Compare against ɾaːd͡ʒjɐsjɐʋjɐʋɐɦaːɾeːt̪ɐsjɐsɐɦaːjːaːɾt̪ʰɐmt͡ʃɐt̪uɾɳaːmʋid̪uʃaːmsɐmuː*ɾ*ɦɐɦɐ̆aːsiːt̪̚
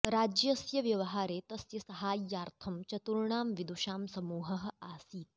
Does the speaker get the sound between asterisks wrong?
yes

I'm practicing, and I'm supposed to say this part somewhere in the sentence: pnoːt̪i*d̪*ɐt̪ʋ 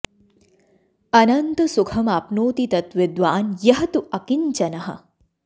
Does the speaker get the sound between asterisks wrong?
yes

